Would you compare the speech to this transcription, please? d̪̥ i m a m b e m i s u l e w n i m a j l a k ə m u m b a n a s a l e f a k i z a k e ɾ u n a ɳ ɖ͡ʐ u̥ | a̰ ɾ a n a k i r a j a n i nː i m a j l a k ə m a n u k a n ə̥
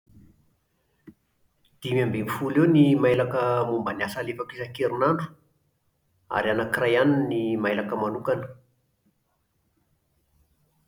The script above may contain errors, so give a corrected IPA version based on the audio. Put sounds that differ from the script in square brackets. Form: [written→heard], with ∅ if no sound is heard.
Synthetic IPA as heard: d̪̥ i m a m b e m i [s→f] u l e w n i m a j l a k ə m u m b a n a s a l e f a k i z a k e ɾ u n a ɳ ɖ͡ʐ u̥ | a̰ ɾ a n a k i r a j a n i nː i m a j l a k ə m a n u k a n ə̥